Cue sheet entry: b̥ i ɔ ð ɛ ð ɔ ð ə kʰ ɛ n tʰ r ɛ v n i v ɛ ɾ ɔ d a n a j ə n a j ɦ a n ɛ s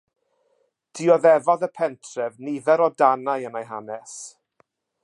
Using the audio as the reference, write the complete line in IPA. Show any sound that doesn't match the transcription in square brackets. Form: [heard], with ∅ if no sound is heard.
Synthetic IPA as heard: [d̥] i ɔ ð ɛ [v] ɔ ð ə [pʰ] ɛ n tʰ r ɛ v n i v ɛ ɾ ɔ d a n a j ə n a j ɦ a n ɛ s